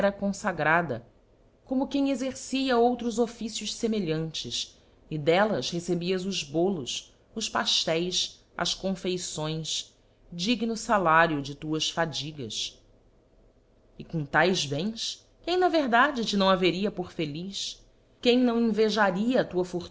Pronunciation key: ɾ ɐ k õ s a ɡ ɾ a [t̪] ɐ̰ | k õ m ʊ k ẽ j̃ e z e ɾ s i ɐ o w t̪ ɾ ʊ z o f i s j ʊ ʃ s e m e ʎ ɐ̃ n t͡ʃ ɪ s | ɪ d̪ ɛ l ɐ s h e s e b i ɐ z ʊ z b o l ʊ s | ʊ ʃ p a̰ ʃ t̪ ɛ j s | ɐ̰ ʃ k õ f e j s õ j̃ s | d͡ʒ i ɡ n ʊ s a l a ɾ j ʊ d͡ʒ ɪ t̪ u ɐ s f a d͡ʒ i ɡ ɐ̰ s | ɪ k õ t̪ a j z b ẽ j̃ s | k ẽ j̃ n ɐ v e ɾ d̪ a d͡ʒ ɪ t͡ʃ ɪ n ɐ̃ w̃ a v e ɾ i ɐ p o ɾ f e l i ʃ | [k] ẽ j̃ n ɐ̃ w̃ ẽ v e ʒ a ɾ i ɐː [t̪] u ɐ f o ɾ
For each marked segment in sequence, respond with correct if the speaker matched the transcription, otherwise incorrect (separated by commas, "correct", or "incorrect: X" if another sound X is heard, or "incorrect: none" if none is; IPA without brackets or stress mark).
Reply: incorrect: d̪, correct, correct